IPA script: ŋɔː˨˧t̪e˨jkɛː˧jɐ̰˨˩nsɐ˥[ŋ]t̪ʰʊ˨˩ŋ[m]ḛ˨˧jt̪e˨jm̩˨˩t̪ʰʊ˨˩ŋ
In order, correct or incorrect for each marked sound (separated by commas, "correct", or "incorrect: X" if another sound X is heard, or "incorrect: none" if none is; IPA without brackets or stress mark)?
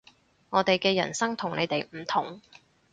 correct, incorrect: n